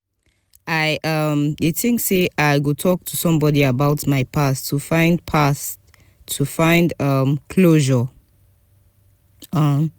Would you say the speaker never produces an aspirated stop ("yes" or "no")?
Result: no